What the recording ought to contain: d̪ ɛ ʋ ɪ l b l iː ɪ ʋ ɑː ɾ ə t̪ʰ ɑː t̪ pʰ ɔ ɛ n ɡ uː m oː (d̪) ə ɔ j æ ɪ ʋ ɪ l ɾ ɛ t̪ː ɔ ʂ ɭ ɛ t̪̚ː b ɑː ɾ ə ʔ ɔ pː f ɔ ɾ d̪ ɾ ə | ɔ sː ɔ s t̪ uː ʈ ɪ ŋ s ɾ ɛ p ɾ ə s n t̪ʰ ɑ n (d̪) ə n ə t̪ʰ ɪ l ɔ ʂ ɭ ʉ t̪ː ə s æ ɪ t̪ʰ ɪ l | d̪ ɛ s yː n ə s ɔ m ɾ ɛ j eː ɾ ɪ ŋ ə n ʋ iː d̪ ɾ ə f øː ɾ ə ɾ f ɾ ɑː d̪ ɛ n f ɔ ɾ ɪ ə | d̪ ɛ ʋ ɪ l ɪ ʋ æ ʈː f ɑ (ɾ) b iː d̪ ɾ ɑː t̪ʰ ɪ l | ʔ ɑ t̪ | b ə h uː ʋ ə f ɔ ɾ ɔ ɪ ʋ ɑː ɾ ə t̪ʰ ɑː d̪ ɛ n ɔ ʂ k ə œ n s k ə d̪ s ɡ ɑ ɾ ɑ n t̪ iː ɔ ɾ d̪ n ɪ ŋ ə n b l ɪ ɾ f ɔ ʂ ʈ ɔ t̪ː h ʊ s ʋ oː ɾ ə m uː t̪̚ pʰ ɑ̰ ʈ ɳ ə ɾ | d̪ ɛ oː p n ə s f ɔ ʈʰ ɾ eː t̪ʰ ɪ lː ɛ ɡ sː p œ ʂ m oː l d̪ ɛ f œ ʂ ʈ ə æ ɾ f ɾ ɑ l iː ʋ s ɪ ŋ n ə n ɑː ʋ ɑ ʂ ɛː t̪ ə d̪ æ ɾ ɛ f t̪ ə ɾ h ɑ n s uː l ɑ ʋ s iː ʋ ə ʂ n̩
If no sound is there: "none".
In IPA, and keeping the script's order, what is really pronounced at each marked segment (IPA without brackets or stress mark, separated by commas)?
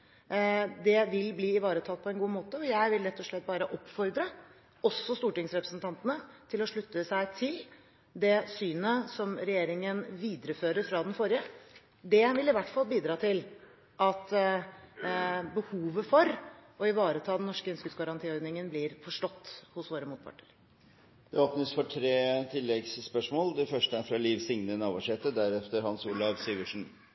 t̪, t̪, l